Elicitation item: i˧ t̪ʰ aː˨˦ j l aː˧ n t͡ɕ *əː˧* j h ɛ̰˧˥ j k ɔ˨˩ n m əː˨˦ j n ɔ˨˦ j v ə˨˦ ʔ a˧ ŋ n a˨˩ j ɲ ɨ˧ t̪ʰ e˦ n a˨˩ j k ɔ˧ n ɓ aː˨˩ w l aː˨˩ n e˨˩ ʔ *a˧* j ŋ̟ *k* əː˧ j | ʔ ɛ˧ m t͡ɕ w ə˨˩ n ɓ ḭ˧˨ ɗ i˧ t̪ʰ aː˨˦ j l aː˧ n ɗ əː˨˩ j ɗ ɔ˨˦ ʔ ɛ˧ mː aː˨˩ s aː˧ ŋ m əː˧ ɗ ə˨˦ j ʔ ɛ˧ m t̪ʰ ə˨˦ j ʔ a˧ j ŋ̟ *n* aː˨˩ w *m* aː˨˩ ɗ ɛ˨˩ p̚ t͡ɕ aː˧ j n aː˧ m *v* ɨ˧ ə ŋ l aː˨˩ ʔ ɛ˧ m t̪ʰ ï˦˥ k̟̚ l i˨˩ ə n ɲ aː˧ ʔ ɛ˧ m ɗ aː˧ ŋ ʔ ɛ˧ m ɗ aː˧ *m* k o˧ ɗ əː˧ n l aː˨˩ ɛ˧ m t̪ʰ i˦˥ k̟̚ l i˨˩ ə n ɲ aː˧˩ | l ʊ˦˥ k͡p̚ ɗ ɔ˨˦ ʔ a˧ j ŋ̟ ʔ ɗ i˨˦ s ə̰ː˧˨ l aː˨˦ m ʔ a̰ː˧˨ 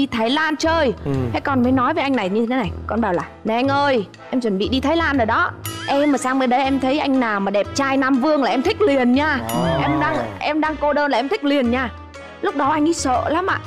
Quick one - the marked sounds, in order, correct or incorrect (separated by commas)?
correct, correct, incorrect, correct, correct, correct, incorrect